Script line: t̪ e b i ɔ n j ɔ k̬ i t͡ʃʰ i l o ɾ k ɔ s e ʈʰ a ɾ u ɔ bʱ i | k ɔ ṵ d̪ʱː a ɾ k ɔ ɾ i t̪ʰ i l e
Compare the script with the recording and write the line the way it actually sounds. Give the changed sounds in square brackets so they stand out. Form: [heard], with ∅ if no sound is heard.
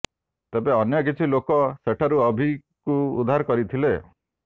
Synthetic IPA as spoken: t̪ e b [e] ɔ n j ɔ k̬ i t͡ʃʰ i l o [∅] k ɔ s e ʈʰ a ɾ u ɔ bʱ i | k [u] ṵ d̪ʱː a ɾ k ɔ ɾ i t̪ʰ i l e